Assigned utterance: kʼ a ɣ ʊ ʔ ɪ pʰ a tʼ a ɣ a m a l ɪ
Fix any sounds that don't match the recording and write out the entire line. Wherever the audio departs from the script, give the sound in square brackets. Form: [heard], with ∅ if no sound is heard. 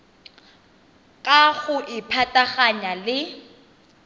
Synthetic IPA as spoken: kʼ a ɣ ʊ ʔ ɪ pʰ a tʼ a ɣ a [ɲ] a l ɪ